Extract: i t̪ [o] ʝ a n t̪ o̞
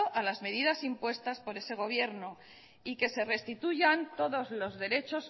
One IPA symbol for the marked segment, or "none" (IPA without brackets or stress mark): u